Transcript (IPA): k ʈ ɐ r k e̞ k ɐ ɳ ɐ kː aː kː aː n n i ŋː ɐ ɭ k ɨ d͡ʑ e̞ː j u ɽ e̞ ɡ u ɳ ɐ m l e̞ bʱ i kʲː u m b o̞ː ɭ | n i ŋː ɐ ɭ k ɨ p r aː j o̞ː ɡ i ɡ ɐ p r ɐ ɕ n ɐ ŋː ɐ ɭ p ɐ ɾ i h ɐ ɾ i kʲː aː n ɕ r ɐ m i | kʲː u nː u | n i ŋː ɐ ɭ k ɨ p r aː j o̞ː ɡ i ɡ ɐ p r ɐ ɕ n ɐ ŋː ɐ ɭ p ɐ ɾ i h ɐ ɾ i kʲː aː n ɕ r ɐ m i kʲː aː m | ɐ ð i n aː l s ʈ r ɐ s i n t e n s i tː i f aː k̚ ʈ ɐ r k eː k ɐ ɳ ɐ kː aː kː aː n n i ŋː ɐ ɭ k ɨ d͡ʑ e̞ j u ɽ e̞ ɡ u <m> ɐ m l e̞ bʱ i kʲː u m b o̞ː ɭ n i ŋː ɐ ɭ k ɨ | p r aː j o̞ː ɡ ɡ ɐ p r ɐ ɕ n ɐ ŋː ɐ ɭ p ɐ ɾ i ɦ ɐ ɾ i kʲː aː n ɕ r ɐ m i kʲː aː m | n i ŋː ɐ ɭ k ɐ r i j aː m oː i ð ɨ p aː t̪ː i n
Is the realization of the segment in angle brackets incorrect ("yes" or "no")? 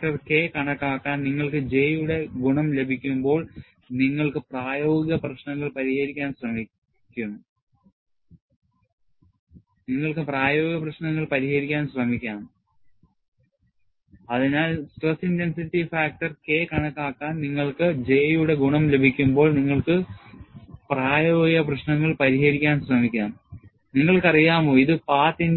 yes